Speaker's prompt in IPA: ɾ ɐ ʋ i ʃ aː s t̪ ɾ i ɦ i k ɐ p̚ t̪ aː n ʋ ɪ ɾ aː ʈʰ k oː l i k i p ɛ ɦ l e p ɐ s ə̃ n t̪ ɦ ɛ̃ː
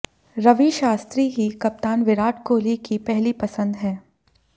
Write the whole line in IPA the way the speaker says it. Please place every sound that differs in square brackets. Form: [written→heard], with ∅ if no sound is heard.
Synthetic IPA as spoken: ɾ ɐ ʋ i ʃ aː s t̪ ɾ i ɦ i k ɐ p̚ t̪ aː n ʋ ɪ ɾ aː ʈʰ k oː l i k i p ɛ ɦ l [e→i] p ɐ s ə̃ n [t̪→d̪] ɦ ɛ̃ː